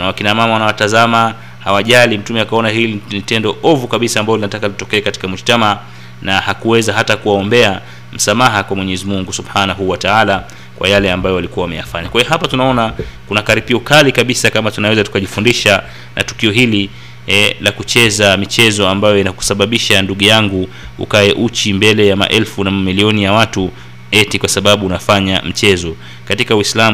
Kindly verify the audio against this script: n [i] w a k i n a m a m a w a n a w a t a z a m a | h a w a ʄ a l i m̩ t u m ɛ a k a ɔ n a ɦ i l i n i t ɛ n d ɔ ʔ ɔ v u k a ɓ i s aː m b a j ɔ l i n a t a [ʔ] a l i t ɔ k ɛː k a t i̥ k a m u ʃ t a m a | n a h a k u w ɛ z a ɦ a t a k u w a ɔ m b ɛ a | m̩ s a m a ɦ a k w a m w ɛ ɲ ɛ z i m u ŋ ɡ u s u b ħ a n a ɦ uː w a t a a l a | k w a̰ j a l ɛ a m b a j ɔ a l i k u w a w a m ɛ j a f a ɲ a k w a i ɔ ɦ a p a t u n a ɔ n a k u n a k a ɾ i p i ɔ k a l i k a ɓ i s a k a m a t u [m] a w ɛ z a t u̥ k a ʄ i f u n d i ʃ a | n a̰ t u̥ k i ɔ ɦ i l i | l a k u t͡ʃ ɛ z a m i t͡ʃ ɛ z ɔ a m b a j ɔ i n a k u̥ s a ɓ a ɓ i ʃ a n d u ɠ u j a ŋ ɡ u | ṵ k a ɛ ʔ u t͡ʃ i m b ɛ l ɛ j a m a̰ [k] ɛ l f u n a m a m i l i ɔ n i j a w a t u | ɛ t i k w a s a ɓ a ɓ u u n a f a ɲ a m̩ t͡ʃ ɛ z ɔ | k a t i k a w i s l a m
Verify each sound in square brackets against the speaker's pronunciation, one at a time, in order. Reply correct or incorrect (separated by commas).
incorrect, incorrect, incorrect, incorrect